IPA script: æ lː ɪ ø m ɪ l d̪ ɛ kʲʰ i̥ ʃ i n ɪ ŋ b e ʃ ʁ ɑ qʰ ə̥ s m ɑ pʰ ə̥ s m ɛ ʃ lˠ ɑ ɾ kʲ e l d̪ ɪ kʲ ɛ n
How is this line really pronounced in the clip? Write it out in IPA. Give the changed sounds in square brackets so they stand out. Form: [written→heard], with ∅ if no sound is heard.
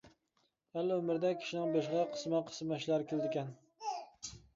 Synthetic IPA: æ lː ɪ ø m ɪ [l→ɾ] d̪ ɛ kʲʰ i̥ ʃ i n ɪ ŋ b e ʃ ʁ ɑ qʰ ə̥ s m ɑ [pʰ→qʰ] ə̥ s m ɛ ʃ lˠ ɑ ɾ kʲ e l d̪ ɪ kʲ ɛ n